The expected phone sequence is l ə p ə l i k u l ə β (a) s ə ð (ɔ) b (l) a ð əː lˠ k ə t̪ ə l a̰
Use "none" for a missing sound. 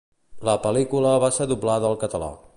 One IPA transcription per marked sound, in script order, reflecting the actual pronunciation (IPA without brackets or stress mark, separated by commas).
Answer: a, u, l